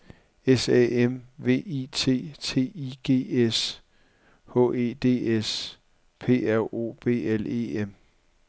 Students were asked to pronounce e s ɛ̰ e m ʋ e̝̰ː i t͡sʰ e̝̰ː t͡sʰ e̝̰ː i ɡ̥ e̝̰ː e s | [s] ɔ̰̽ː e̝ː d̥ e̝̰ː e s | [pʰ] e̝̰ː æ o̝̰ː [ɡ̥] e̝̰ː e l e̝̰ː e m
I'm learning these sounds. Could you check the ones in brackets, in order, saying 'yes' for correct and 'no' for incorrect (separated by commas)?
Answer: no, yes, no